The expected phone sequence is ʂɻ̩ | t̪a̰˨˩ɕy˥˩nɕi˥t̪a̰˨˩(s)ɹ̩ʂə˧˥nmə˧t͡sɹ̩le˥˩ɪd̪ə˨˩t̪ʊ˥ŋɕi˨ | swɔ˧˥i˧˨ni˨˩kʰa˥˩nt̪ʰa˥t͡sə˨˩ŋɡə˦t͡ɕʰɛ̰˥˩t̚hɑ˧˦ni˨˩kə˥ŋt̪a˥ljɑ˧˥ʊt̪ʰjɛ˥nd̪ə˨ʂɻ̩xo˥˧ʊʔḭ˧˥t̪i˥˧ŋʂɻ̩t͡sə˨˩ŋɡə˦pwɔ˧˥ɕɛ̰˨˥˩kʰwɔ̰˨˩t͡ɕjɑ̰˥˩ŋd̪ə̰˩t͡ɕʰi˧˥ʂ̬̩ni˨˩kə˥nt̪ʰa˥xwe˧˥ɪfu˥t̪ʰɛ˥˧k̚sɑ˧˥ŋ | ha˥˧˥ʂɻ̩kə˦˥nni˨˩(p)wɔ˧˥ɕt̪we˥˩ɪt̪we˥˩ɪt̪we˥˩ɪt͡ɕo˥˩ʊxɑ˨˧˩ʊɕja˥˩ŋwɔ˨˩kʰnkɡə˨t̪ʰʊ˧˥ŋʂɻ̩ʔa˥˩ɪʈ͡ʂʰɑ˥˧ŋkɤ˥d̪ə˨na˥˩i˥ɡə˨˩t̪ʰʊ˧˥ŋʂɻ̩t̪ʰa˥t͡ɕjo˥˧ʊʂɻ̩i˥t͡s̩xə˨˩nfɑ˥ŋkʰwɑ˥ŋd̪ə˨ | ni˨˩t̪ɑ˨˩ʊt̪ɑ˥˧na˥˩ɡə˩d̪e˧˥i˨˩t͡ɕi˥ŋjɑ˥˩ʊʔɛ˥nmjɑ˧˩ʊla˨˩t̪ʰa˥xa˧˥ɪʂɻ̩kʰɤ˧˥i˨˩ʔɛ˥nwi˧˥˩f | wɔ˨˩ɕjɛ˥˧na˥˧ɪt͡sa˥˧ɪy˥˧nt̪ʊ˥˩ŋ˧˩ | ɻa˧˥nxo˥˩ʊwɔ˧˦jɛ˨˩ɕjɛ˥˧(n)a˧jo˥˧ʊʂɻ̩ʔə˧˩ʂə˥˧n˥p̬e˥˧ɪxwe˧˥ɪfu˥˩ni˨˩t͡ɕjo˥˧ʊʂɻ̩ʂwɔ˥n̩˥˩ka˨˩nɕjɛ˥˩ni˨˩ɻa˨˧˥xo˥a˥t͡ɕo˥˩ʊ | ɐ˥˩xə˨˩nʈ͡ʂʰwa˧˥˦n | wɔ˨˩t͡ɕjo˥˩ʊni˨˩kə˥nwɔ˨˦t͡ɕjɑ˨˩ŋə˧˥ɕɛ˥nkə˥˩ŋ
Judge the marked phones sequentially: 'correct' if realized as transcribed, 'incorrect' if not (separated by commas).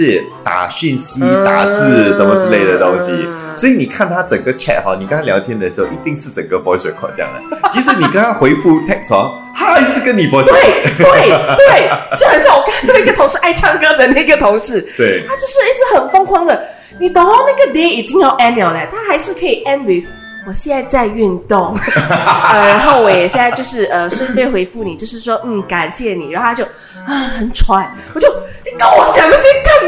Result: incorrect, correct, correct